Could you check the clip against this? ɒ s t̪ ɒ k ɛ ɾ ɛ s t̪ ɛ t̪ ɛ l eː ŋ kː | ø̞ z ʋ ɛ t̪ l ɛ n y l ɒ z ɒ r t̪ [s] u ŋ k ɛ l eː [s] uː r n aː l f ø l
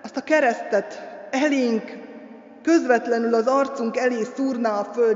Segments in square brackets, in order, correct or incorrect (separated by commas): correct, correct